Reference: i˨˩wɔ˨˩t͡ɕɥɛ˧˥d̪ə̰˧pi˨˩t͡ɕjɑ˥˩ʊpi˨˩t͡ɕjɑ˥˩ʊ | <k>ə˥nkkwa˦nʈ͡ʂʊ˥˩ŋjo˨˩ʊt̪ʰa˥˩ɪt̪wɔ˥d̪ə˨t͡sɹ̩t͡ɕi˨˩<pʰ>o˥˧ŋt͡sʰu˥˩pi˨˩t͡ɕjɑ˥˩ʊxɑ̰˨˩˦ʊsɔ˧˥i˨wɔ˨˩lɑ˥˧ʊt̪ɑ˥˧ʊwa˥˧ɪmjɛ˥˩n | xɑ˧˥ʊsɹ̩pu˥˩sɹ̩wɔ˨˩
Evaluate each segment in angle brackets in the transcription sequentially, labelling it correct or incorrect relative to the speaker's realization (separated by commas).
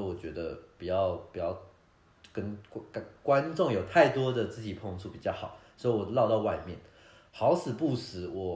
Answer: correct, correct